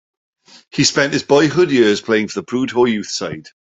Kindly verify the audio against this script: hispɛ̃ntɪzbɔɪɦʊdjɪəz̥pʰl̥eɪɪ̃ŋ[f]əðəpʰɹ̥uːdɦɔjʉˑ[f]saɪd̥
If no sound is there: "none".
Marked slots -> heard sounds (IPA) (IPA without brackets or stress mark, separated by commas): f, θ